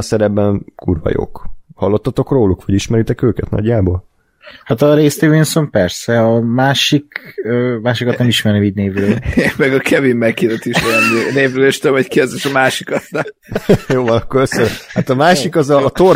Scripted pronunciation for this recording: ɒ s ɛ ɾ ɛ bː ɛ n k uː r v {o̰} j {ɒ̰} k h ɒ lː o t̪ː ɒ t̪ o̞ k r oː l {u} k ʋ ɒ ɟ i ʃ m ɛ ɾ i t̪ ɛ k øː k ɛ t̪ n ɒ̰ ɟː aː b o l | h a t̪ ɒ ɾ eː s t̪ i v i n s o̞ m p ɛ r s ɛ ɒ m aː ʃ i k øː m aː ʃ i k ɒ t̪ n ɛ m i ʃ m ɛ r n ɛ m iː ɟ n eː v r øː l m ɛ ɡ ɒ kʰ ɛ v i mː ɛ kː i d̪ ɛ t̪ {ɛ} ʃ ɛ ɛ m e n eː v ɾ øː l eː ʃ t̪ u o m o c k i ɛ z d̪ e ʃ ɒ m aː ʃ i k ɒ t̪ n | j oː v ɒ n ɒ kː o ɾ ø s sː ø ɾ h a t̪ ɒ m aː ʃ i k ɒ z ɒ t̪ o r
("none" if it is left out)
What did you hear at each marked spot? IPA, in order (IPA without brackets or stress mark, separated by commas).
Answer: ɒ̰, o̰, u, i